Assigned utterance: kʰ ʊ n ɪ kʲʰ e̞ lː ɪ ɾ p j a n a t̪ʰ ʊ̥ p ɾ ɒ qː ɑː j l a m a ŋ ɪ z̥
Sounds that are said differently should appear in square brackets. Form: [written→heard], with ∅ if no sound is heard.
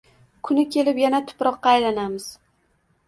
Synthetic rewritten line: kʰ ʊ n ɪ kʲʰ e̞ [lː→l] ɪ [ɾ→∅] p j a n a t̪ʰ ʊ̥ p ɾ ɒ qː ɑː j l a [m→n] a [ŋ→m] ɪ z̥